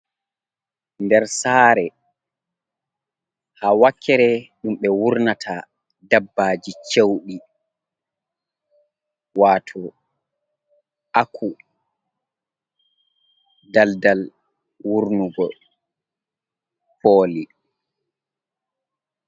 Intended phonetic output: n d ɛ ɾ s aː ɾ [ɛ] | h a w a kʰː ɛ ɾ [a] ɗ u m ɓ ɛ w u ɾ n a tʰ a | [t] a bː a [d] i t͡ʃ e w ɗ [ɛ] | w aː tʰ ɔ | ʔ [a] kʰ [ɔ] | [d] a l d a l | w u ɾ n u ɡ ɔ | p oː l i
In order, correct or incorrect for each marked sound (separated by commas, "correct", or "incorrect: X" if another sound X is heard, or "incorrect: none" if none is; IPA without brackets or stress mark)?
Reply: correct, incorrect: ɛ, incorrect: d, incorrect: d͡ʒ, incorrect: i, correct, incorrect: u, correct